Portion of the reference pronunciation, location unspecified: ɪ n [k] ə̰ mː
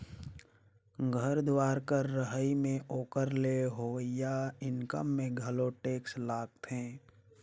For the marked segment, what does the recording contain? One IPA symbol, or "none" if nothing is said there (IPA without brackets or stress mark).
k